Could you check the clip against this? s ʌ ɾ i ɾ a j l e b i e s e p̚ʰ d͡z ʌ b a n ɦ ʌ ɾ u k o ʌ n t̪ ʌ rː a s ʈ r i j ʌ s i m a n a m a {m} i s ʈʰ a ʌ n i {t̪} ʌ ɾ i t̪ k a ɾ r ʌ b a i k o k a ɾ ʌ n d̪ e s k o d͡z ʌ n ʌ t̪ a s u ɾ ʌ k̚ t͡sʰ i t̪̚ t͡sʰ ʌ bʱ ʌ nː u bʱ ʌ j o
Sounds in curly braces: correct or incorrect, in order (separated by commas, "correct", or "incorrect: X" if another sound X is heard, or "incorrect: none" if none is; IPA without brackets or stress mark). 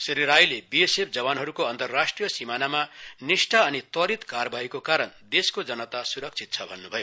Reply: incorrect: n, correct